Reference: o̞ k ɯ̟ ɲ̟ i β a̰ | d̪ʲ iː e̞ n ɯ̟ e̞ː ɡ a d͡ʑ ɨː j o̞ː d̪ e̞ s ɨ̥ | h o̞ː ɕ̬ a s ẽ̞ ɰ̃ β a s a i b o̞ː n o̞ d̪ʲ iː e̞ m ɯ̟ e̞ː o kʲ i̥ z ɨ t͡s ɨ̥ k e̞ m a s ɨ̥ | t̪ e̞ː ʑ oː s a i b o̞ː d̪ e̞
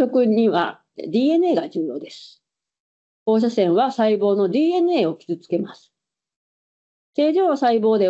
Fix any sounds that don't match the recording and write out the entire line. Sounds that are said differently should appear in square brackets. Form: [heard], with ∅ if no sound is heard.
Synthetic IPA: o̞ k ɯ̟ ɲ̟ i β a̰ | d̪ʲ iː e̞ n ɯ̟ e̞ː ɡ a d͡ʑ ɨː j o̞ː d̪ e̞ s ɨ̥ | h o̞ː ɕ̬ a s ẽ̞ ɰ̃ β a s a i b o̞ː n o̞ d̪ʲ iː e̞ [n] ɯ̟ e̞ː o kʲ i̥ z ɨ t͡s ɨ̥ k e̞ m a s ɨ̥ | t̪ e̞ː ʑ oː s a i b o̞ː d̪ e̞